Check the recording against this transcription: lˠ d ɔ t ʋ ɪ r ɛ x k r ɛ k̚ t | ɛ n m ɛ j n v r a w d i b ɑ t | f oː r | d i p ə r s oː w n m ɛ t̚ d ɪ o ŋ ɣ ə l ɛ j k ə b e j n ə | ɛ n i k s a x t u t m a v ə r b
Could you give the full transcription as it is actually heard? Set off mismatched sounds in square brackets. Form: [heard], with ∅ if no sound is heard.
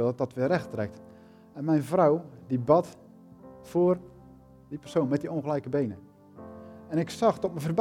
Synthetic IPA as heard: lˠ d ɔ t ʋ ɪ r ɛ x [t] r ɛ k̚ t | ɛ n m ɛ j n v r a w d i b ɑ t | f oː r | d i p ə r s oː [∅] n m ɛ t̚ d [i] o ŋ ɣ ə l ɛ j k ə b e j n ə | ɛ n [ɪ] k s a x t [ɔ] t m [ə] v ə r b